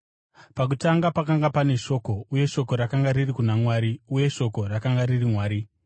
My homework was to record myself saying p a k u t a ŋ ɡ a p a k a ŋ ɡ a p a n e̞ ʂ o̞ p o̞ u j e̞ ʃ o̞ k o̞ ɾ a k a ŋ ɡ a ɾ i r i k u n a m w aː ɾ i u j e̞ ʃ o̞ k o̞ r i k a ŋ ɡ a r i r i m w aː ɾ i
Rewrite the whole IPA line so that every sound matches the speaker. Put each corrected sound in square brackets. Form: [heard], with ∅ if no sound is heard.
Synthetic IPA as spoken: p a k u t a ŋ ɡ a p a k a ŋ ɡ a p a n e̞ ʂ o̞ [k] o̞ u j e̞ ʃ o̞ k o̞ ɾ a k a ŋ ɡ a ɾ i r i k u n a m w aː ɾ i u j e̞ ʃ o̞ k o̞ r [a] k a ŋ ɡ a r i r i m w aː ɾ i